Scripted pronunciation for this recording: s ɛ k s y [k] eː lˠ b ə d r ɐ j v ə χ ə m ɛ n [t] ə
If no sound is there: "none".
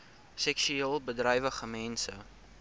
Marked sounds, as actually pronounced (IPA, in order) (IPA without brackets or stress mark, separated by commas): none, s